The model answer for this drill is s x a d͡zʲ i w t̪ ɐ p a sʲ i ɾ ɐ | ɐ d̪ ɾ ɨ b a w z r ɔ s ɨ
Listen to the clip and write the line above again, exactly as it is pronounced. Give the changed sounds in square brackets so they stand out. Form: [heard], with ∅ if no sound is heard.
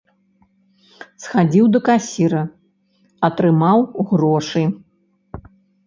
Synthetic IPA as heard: s x a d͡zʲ i w [d̪] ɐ [k] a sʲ i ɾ ɐ | ɐ [t̪] ɾ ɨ [m] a w [ɣ] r ɔ [ʂ] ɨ